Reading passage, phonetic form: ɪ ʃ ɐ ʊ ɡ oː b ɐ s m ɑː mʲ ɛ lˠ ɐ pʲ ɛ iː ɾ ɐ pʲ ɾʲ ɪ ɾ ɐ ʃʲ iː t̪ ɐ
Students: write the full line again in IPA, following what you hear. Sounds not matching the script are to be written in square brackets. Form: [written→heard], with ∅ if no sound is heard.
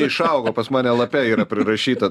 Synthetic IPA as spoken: ɪ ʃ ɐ ʊ ɡ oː [b→p] ɐ s m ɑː [mʲ→nʲ] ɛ lˠ ɐ pʲ ɛ iː ɾ ɐ pʲ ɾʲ ɪ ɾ ɐ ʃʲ iː t̪ ɐ